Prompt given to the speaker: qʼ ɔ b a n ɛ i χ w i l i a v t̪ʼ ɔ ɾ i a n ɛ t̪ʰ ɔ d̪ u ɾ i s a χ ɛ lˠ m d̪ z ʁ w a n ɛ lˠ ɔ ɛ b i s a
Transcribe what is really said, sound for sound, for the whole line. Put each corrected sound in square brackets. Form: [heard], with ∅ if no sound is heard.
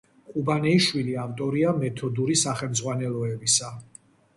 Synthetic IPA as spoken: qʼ [u] b a n ɛ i [ʃ] w i l i a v t̪ʼ ɔ ɾ i a [m] ɛ t̪ʰ ɔ d̪ u ɾ i s a χ ɛ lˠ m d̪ z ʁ w a n ɛ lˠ ɔ ɛ b i s a